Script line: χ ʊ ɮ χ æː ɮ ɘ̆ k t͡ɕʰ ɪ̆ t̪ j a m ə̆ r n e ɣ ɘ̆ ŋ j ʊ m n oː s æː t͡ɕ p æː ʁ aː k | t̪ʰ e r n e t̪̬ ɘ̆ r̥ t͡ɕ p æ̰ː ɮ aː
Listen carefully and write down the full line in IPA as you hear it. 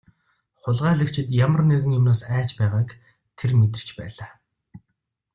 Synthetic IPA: χ ʊ ɮ ʁ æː ɮ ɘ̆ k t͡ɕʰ ɪ̆ t̪ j a m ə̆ r n e ɣ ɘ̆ ŋ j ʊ m n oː s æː t͡ɕ p æː ʁ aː k | t̪ʰ e r m e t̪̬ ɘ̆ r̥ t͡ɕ p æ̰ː ɮ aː

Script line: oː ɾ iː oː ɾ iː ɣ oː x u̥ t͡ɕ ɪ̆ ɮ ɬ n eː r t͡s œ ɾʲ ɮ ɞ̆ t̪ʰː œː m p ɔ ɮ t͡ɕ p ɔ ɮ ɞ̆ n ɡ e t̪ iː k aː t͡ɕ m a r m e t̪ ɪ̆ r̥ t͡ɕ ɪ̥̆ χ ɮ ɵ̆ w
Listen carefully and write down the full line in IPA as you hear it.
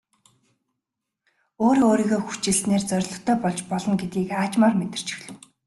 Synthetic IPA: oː ɾ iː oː ɾ iː ɣ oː x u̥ t͡ɕ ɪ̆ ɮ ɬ n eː r t͡s œ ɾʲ ɮ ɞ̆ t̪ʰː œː p ɔ ɮ t͡ɕ p ɔ ɮ ɞ̆ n ɡ e t̪ iː k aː t͡ɕ m a r m e t̪ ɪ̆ r̥ t͡ɕ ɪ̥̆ x ɮ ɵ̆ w

